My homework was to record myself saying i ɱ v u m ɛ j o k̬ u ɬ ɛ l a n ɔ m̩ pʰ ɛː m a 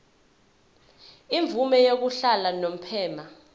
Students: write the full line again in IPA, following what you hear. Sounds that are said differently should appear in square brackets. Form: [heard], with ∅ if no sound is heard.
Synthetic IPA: i ɱ v u m ɛ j o k̬ u ɬ [a] l a n [o] m̩ pʰ ɛː m a